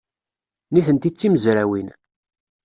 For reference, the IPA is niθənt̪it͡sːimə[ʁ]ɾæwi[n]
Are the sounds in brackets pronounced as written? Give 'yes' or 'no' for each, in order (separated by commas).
no, yes